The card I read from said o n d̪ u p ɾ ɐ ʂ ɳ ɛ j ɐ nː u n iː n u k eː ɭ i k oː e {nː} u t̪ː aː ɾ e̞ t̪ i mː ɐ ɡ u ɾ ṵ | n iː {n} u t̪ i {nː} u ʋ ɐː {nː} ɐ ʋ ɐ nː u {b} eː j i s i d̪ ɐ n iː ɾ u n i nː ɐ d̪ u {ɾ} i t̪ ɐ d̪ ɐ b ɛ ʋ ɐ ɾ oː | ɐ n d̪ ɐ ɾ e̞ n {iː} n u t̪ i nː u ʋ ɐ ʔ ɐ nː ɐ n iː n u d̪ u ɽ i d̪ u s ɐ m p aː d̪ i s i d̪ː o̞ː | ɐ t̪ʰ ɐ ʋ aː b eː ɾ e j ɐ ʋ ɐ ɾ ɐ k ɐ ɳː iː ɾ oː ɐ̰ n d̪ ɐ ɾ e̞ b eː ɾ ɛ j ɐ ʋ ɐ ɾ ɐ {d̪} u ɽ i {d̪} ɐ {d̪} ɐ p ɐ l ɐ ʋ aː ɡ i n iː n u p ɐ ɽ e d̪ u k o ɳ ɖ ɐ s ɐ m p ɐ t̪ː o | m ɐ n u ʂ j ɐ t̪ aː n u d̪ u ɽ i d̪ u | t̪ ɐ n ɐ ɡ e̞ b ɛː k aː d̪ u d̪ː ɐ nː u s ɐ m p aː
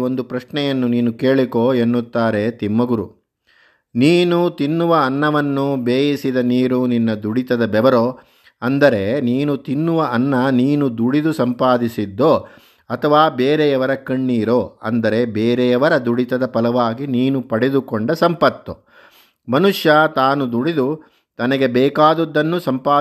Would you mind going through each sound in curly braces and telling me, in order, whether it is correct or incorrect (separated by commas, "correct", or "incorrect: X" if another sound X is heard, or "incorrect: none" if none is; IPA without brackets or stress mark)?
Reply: correct, correct, correct, correct, correct, incorrect: ɽ, correct, correct, incorrect: t̪, correct